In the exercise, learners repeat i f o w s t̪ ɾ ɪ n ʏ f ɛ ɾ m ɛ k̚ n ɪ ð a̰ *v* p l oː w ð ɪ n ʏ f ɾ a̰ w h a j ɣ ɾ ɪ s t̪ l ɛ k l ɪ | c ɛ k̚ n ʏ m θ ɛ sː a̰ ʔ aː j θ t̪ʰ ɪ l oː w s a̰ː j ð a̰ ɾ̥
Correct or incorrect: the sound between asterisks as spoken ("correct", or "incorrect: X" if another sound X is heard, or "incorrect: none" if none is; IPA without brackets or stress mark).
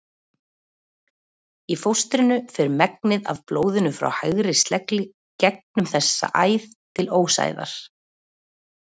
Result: correct